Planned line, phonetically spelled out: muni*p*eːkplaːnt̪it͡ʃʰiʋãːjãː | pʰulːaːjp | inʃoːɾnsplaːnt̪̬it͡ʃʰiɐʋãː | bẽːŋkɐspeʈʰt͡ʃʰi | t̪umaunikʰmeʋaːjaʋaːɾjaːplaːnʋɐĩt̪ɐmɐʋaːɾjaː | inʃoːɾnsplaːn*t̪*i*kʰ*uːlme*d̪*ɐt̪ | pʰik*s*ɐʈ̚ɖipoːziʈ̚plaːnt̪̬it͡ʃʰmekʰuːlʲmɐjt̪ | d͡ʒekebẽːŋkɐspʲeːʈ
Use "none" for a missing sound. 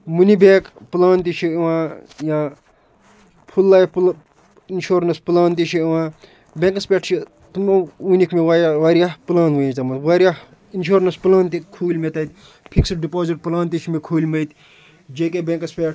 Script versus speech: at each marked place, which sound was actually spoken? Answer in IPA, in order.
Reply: b, t̪, kʰ, t̪, s

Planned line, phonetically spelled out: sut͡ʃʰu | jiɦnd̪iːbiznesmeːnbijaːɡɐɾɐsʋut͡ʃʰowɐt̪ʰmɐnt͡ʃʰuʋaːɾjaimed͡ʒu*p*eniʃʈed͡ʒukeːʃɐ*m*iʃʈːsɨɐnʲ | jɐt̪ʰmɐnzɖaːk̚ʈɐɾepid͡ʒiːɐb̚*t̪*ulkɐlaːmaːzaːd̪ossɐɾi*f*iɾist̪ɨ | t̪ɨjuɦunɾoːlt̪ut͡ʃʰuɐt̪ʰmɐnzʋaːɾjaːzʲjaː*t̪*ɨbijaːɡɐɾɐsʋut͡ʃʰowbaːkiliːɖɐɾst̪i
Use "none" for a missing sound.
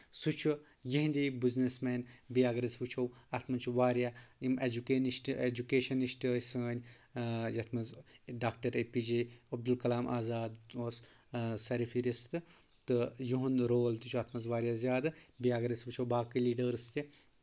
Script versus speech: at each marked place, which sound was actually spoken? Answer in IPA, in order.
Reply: k, n, d̪, f, d̪

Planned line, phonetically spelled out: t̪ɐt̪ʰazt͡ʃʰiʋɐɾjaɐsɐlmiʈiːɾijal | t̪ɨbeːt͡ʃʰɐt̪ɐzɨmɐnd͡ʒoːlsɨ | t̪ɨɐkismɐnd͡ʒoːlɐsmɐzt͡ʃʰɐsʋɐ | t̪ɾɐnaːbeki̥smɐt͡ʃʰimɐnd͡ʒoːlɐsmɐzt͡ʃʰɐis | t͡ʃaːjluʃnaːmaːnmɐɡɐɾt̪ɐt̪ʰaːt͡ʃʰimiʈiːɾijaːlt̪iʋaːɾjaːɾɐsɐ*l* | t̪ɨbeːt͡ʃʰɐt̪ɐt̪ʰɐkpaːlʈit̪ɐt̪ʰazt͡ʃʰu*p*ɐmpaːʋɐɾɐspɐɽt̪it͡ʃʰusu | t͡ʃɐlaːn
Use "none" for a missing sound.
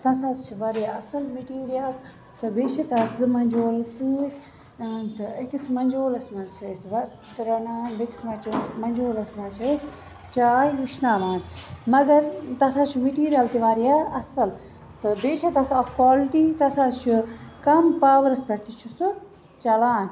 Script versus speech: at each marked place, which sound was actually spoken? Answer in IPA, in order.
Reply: l, k

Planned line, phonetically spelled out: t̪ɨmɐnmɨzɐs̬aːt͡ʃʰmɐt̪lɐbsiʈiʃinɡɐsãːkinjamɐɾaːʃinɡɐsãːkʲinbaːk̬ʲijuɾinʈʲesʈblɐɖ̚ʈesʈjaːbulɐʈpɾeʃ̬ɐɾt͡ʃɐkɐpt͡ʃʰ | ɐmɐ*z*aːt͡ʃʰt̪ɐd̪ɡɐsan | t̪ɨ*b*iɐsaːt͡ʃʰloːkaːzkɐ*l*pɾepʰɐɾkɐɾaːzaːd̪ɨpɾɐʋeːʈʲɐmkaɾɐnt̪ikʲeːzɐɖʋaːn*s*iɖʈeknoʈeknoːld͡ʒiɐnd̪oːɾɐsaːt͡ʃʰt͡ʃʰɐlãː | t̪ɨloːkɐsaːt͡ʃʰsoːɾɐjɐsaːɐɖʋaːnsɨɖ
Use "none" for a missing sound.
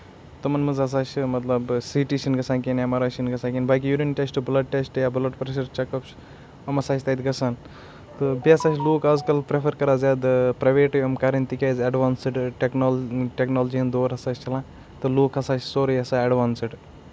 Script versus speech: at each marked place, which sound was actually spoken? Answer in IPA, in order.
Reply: s, b, l, s

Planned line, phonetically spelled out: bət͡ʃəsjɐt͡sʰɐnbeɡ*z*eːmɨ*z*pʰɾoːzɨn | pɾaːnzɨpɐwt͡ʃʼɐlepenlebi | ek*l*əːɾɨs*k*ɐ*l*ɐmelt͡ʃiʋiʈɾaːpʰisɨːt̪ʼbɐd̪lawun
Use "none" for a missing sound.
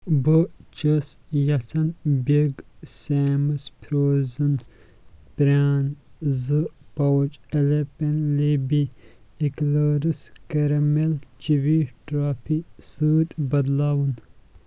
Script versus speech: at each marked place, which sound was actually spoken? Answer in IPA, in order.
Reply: s, s, l, k, ɾ

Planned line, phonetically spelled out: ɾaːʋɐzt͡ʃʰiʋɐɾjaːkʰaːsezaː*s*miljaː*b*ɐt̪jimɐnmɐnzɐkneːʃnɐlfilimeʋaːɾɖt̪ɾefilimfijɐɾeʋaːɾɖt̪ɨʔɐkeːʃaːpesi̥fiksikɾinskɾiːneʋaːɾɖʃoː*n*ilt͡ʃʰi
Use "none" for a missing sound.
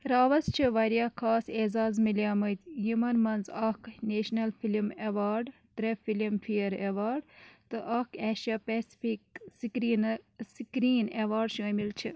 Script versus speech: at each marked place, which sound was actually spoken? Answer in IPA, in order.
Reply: z, m, m

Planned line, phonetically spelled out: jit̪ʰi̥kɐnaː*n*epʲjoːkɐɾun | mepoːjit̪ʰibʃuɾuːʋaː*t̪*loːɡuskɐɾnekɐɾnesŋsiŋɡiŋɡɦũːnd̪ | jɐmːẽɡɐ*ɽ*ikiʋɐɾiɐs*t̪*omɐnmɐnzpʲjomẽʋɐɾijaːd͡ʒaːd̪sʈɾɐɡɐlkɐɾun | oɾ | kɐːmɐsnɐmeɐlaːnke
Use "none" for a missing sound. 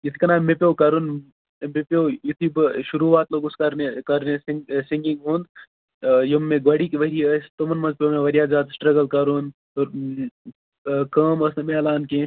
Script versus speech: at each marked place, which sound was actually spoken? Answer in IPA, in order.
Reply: m, t̪, ɽ, t̪

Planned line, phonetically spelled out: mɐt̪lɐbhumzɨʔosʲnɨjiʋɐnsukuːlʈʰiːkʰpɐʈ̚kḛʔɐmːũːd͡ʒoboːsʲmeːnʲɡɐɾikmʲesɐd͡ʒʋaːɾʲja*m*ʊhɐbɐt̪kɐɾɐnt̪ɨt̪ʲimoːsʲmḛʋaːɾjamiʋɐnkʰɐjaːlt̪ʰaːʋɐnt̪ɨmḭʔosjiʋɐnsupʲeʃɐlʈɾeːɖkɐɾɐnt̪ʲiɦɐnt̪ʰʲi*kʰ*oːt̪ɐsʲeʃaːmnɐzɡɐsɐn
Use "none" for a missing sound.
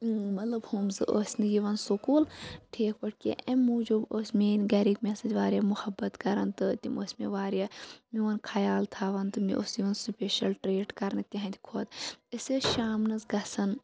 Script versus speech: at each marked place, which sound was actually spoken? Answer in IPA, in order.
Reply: m, kʰ

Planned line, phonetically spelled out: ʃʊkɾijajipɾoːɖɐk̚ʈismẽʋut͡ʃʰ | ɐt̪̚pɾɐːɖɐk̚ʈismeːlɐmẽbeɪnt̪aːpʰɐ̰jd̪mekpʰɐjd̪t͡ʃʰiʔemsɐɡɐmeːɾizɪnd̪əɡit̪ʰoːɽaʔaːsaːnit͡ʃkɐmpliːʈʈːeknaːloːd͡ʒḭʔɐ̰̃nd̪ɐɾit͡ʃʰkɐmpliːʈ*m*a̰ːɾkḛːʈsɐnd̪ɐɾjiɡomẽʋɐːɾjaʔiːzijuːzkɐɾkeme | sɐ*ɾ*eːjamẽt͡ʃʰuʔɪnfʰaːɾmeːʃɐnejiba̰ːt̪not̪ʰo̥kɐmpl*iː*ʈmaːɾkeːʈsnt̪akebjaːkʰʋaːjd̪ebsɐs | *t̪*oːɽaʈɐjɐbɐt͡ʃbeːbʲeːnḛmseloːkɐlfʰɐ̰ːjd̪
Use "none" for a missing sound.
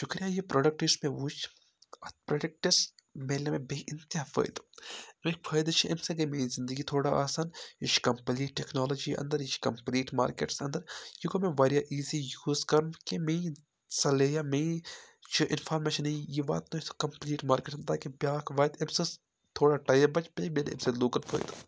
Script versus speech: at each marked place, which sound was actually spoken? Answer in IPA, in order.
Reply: m, l, iː, t̪ʰ

